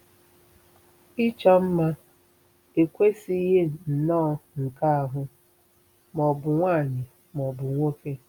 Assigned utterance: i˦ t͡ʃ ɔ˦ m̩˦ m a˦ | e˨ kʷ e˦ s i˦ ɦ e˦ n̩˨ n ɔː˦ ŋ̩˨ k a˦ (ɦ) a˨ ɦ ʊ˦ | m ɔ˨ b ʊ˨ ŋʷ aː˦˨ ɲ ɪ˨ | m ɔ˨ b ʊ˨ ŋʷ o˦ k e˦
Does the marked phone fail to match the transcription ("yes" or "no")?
yes